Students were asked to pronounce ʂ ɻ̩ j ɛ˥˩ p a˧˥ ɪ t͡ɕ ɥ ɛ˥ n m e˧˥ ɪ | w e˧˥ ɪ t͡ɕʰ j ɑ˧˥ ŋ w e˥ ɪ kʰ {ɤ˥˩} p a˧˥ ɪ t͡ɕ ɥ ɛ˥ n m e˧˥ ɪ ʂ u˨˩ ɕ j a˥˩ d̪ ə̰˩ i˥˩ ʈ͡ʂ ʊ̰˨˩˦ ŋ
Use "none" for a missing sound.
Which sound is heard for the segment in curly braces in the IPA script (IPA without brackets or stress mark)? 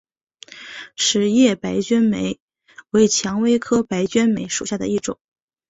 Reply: ɤ˥